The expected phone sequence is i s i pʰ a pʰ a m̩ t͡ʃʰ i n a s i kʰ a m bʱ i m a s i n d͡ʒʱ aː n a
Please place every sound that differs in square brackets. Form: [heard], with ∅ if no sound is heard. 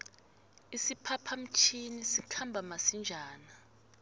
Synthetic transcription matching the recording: i s i pʰ a pʰ a m̩ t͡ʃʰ i n [i] s i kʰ a m bʱ [a] m a s i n d͡ʒʱ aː n a